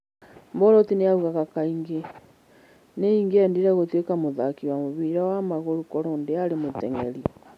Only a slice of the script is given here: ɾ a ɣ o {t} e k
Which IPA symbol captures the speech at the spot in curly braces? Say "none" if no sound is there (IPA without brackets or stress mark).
t